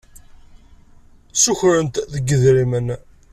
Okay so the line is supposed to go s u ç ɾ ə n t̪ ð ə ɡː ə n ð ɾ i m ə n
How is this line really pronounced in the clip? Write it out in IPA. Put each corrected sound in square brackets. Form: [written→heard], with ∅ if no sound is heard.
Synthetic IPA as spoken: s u ç ɾ ə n t̪ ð ə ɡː ə [n→∅] ð ɾ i m ə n